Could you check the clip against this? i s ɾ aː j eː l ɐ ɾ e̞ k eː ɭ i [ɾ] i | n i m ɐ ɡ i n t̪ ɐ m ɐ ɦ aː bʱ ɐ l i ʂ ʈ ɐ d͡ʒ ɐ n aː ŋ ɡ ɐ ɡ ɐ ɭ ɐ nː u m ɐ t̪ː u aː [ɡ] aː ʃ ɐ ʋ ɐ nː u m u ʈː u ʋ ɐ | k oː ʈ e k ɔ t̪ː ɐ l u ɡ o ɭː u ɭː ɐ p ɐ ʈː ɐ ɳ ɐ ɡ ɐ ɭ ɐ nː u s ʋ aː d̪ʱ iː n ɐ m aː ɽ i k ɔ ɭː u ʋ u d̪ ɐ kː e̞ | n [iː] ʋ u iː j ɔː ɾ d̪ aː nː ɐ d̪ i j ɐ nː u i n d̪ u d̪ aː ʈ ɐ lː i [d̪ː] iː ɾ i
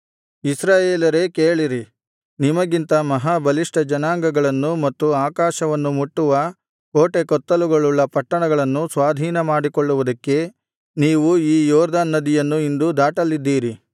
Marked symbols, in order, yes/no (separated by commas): yes, no, yes, yes